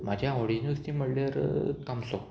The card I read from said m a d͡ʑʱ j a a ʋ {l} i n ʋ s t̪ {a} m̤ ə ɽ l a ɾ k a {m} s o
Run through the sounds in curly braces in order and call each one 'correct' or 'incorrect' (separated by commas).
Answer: incorrect, incorrect, correct